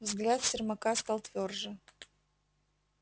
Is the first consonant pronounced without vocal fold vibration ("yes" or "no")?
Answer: no